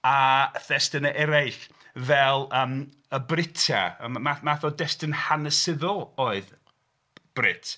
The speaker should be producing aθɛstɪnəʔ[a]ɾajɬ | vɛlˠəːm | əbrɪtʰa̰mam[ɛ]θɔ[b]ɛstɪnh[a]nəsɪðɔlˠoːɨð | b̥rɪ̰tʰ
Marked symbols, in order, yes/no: no, no, no, yes

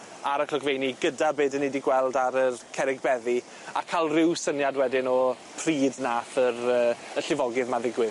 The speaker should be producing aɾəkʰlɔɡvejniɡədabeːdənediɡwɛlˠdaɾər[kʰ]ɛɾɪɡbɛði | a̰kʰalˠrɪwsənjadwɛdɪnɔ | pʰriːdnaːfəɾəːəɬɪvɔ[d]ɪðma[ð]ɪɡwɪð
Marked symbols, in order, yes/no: yes, no, yes

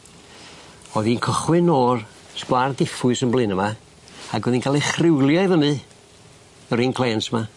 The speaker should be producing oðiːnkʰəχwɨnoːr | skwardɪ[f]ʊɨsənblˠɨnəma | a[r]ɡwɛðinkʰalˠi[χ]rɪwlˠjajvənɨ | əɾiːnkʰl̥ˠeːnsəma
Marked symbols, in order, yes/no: yes, no, yes

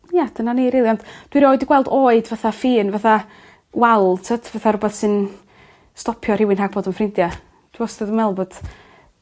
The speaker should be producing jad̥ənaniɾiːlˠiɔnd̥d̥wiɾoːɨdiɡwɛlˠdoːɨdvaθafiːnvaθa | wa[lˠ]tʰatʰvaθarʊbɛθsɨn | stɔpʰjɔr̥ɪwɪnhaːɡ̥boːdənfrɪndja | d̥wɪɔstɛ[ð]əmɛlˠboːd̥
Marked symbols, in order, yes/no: yes, yes

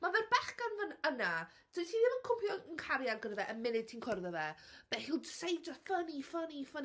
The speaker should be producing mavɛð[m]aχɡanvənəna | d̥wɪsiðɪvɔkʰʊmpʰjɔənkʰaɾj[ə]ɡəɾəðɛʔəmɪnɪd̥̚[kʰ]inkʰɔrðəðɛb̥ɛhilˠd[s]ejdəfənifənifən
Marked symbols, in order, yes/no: no, no, no, yes

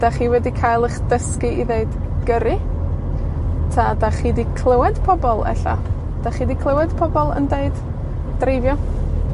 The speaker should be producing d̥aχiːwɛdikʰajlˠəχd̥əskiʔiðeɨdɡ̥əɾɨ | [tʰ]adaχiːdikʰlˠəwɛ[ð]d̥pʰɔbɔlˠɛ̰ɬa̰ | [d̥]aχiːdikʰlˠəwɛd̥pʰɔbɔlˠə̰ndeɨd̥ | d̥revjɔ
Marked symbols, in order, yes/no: yes, no, yes

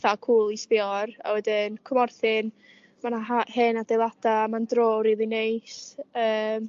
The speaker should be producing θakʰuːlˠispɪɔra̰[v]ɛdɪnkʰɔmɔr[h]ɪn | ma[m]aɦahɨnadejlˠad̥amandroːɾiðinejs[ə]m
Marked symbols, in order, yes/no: no, no, no, no

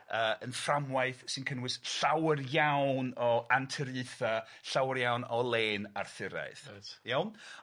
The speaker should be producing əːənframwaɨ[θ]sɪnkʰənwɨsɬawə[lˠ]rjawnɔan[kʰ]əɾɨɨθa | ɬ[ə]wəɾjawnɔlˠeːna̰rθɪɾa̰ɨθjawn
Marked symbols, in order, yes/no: yes, no, no, no

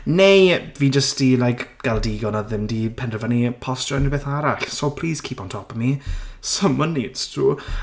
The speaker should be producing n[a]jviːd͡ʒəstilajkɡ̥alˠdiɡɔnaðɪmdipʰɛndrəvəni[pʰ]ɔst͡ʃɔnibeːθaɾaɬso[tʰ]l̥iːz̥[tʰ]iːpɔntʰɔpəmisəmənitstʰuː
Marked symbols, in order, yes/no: no, yes, no, no

